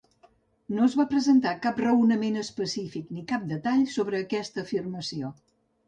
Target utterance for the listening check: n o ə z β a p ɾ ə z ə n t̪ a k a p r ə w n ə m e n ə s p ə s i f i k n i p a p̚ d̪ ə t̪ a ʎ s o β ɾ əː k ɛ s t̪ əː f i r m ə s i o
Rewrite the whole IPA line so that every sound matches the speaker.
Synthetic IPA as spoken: n o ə z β a p ɾ ə z ə n t̪ a k a p r ə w n ə m e n ə s p ə s i f i k n i k a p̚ d̪ ə t̪ a ʎ s o β ɾ əː k ɛ s t̪ əː f i r m ə s i o